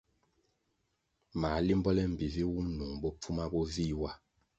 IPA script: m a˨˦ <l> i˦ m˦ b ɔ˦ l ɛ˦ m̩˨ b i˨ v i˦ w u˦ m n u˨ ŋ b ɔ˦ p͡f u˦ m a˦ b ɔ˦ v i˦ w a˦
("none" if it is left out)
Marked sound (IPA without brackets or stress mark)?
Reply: l